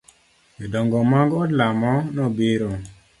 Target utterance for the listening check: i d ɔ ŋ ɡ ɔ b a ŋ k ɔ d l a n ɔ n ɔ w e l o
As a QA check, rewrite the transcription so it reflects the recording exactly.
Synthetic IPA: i d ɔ ŋ ɡ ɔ m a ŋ ɡ ɔ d l a m ɔ n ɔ b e ɾ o

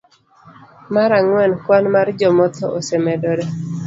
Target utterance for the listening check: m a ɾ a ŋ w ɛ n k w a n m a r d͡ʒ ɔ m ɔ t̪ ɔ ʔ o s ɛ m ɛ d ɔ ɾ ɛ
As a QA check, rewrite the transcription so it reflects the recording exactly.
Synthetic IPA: m a ɾ a ŋ w ɛ n k w a n m a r d͡ʒ ɔ m ɔ t̪ ɔ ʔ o s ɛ m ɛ d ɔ ɾ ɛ

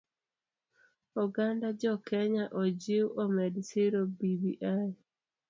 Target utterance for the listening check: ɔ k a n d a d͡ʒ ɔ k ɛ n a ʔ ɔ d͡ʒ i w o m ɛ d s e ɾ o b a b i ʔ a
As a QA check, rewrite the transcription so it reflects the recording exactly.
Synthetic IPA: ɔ ɡ a n d a d͡ʒ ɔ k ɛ ɲ a ʔ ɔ d͡ʒ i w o m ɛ d s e ɾ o b i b i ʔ a

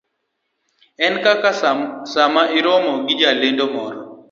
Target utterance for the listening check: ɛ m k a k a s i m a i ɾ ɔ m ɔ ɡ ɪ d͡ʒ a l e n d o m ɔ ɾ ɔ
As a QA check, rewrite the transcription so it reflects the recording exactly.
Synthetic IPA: ɛ n k a k a s a m a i ɾ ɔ m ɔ ɡ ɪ d͡ʒ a l e n d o m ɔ ɾ ɔ

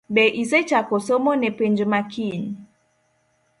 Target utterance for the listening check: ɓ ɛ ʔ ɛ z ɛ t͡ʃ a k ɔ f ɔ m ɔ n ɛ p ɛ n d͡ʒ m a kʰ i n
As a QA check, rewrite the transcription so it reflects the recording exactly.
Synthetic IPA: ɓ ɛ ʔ i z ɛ t͡ʃ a k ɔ s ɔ m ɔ n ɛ p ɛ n d͡ʒ m a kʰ i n

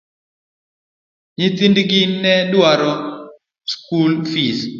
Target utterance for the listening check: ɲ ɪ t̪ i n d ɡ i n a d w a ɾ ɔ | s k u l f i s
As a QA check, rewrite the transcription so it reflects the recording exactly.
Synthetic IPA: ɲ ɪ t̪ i n d ɡ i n ɛ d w a ɾ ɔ | s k u l f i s

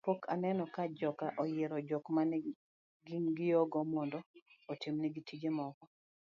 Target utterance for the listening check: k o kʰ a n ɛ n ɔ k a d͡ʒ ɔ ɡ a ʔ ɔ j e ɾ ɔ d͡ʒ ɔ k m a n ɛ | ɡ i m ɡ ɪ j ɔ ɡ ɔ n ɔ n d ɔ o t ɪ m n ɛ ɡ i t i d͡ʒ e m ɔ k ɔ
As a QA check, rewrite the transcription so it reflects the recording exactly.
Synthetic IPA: p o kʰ a n ɛ n ɔ k a d͡ʒ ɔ k a ʔ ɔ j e ɾ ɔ d͡ʒ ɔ k m a n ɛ | ɡ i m ɡ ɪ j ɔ ɡ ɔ m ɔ n d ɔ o t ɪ m n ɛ ɡ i t i d͡ʒ e m ɔ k ɔ

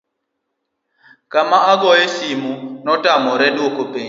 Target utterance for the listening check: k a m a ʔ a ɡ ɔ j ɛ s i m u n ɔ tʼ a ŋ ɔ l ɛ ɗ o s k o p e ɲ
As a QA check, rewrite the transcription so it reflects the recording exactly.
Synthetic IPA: k a m a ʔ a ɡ ɔ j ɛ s i m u n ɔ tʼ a m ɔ ɾ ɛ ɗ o k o p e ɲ

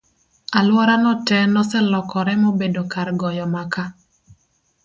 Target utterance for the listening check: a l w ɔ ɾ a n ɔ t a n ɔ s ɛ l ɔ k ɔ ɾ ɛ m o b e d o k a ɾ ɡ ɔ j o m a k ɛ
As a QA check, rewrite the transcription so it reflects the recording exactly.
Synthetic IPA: a l w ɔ ɾ a n ɔ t ɛ n ɔ s ɛ l ɔ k ɔ ɾ ɛ m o b e d o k a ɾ ɡ ɔ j ɔ m a k a

